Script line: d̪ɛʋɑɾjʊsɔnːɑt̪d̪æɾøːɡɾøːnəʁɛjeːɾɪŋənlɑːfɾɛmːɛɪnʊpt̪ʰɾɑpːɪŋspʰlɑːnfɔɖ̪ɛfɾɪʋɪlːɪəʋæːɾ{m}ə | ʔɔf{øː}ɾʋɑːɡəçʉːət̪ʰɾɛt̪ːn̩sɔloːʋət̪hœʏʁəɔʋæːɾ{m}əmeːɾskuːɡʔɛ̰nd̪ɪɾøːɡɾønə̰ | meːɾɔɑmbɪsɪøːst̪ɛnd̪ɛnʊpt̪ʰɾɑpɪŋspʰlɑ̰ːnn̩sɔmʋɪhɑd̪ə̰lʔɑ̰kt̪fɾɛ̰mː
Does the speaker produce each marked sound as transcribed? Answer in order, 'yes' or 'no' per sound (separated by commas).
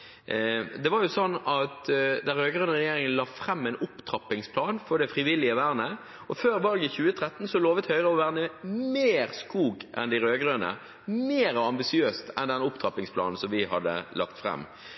no, yes, no